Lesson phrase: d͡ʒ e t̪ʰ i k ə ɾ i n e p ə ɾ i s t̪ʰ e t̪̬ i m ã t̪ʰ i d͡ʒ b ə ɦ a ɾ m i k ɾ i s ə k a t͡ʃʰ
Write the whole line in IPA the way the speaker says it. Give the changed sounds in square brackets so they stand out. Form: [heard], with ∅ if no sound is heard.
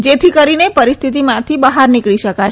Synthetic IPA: d͡ʒ e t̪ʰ i k ə ɾ i n e p ə ɾ i s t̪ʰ [i] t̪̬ i m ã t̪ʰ i [∅] b ə ɦ a ɾ [n] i k [ɭ] i [ʃ] ə k a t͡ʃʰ